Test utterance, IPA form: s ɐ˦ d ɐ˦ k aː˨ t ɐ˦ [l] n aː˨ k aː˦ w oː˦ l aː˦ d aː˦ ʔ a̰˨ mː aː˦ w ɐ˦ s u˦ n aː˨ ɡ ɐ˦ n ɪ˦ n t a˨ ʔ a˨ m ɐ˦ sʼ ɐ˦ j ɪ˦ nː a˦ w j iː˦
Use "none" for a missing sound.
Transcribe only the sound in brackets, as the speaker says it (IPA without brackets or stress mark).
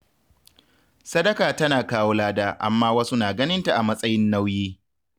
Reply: none